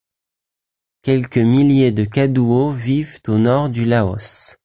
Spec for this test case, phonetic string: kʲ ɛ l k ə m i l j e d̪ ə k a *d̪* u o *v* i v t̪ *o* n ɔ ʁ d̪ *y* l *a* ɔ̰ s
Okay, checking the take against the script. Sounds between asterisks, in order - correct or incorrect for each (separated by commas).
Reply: correct, correct, correct, correct, correct